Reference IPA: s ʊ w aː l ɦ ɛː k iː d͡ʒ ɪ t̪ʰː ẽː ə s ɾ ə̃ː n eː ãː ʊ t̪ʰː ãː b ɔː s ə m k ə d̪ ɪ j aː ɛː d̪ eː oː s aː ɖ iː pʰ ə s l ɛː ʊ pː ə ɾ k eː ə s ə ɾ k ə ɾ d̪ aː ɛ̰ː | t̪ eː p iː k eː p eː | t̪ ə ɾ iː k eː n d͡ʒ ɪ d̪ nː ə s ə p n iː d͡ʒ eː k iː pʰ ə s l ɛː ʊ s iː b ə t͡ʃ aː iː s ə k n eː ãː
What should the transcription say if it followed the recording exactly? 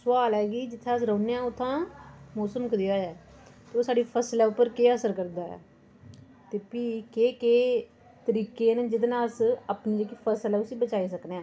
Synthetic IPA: s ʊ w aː l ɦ ɛː ɡ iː d͡ʒ ɪ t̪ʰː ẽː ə s ɾ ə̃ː n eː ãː ʊ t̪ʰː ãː m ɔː s ə m k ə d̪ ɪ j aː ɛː t̪ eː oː s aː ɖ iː pʰ ə s l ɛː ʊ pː ə ɾ k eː ə s ə ɾ k ə ɾ d̪ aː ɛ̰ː | t̪ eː p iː k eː k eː | t̪ ə ɾ iː k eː n d͡ʒ ɪ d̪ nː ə s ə p n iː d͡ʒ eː k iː pʰ ə s l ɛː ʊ s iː b ə t͡ʃ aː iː s ə k n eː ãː